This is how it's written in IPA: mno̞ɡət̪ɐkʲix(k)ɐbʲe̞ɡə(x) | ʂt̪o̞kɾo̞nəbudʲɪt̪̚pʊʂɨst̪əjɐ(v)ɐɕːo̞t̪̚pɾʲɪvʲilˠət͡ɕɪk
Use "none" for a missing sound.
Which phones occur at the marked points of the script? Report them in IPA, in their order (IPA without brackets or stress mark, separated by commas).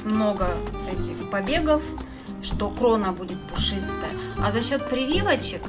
p, f, z